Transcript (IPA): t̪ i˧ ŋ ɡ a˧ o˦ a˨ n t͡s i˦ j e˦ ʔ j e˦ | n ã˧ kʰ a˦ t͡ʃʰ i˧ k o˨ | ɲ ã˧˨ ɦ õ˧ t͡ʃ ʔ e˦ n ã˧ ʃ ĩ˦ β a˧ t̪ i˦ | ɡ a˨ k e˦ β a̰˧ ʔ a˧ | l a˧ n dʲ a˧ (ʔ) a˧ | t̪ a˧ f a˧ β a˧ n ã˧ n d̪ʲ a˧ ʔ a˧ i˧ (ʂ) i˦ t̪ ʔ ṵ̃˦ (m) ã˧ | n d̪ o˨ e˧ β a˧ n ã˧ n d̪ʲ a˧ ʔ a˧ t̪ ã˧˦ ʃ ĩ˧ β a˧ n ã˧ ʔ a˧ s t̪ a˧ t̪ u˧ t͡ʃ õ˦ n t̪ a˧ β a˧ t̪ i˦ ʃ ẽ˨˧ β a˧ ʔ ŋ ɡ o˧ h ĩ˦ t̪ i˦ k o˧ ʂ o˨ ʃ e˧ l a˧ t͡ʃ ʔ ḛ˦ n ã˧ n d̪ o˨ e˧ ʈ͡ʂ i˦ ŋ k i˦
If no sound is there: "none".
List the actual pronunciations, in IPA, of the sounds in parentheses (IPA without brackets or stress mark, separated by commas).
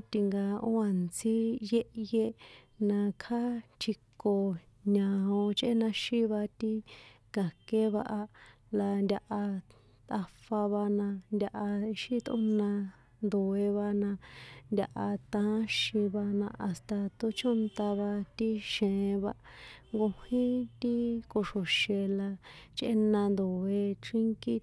ʔ, ʃ, n